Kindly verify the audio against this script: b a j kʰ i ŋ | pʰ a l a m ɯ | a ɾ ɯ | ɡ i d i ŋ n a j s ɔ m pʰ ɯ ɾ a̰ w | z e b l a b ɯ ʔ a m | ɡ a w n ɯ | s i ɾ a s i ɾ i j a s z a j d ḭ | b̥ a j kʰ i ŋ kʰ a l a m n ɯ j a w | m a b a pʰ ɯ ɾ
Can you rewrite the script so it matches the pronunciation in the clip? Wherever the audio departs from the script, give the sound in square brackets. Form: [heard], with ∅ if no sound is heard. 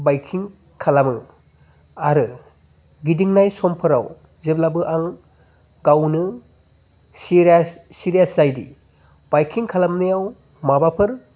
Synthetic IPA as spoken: b a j kʰ i ŋ | [kʰ] a l a m ɯ | a ɾ ɯ | ɡ i d i ŋ n a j s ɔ m pʰ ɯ ɾ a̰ w | z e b l a b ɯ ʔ a [ŋ] | ɡ a w n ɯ | s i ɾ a s i ɾ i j a s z a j d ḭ | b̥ a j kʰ i ŋ kʰ a l a m n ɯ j a w | m a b a pʰ ɯ ɾ